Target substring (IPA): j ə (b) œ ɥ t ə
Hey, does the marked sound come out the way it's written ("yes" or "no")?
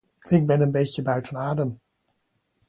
yes